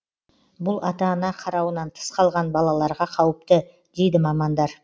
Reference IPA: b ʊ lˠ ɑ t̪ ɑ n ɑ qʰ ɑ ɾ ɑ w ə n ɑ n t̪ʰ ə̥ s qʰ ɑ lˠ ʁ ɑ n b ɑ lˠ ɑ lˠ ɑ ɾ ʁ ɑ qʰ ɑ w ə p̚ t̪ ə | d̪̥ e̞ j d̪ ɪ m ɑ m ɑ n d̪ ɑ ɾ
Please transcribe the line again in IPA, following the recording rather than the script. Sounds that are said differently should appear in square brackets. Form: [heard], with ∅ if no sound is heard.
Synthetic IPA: b ʊ lˠ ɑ t̪ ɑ n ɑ qʰ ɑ ɾ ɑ w ə n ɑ n t̪ʰ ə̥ s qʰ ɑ lˠ ʁ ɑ n b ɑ lˠ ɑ lˠ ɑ ɾ ʁ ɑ qʰ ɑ w ə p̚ t̪ ə | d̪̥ e̞ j d̪ ɪ m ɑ m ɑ n d̪ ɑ ɾ